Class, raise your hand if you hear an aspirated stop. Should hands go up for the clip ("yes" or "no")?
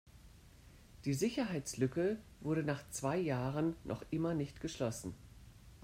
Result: no